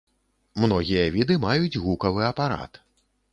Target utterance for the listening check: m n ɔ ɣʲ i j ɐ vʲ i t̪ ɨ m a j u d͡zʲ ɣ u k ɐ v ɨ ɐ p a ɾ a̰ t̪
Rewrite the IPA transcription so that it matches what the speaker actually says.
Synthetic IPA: m n ɔ ɣʲ i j ɐ vʲ i d̪ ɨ m a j u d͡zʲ ɣ u k ɐ v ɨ ɐ p a ɾ a̰ t̪